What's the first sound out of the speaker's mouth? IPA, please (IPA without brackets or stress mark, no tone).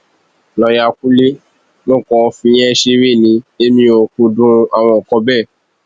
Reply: l